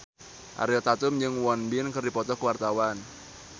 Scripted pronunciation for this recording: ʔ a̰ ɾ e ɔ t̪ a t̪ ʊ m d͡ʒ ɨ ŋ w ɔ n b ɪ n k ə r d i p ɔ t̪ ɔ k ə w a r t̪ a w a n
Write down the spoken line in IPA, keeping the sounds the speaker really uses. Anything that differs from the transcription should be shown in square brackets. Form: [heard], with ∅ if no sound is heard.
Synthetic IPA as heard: ʔ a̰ ɾ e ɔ t̪ a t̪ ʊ m d͡ʒ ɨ ŋ w ɔ n b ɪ n k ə r d i p ɔ t̪ ɔ k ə w a r t̪ a w a n